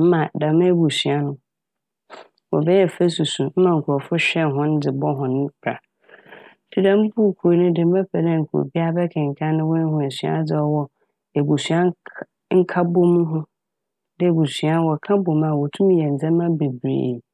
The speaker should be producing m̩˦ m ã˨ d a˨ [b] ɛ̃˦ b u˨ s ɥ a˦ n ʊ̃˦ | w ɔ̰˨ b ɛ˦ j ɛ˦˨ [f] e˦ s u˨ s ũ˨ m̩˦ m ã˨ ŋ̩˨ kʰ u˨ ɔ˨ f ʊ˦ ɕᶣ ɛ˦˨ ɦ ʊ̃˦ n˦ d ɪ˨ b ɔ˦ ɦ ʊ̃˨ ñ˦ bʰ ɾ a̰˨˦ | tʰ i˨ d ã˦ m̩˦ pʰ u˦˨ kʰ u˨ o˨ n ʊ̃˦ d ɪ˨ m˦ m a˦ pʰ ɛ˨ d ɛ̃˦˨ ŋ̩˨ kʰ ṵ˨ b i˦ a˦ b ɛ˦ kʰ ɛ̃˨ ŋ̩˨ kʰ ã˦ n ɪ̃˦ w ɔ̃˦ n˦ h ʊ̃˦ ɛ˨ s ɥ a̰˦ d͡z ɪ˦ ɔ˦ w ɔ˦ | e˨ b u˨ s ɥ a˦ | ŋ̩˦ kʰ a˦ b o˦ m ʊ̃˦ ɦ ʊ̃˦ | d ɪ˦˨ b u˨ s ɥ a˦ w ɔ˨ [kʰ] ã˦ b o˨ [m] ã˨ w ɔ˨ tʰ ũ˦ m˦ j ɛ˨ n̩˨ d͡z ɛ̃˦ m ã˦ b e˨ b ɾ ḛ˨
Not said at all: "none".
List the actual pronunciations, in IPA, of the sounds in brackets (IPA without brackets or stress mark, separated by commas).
m, f, kʰ, m